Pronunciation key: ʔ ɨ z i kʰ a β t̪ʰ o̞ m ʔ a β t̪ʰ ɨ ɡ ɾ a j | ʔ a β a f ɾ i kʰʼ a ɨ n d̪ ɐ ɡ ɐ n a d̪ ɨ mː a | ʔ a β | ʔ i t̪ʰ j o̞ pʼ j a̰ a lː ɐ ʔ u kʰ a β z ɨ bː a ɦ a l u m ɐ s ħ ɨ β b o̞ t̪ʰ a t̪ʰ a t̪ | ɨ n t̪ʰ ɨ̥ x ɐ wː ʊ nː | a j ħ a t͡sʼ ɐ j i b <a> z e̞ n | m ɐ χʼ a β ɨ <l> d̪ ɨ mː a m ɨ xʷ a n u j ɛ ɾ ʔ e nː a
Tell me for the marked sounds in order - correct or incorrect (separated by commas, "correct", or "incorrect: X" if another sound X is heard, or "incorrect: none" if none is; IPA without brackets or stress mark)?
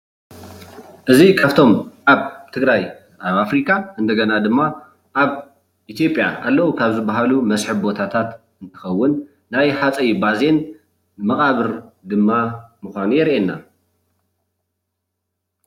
correct, incorrect: ɾ